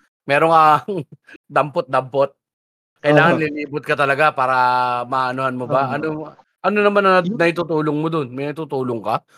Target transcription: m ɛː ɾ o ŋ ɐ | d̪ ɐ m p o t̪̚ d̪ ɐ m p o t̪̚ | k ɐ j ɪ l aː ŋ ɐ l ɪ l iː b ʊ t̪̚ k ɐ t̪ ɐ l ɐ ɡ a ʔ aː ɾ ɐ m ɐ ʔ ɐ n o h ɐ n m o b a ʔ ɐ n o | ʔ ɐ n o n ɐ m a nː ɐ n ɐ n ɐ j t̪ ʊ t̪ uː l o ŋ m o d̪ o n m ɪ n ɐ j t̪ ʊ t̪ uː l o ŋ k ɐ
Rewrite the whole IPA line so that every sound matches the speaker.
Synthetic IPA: m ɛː ɾ o ŋ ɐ | d̪ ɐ m p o t̪̚ d̪ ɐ m p o t̪̚ | k ɐ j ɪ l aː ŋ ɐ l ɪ l iː b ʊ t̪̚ k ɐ t̪ ɐ l ɐ ɡ a p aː ɾ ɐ m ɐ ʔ ɐ n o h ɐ n m o b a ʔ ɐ n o | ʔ ɐ n o n ɐ m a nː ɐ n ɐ n ɐ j t̪ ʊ t̪ uː l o ŋ m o d̪ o n m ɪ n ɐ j t̪ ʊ t̪ uː l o ŋ k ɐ